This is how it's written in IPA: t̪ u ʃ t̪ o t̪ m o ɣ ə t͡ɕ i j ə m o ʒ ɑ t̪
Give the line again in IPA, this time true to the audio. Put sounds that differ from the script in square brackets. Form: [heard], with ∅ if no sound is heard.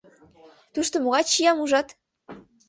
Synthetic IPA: t̪ u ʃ t̪ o [∅] m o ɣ [ɑ] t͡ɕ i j [ɑ] m [u] ʒ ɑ t̪